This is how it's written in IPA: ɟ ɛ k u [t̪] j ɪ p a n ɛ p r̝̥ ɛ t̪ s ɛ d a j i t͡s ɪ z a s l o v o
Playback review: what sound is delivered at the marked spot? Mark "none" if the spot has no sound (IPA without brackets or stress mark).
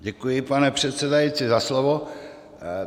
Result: none